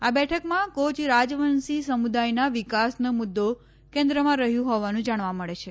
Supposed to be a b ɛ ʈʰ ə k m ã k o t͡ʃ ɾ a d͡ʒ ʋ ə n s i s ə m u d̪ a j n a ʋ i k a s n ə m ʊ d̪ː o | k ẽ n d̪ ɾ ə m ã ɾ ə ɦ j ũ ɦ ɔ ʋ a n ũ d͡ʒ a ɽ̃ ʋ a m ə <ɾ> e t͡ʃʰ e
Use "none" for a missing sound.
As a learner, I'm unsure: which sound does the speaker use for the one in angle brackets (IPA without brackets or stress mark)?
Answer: ɭ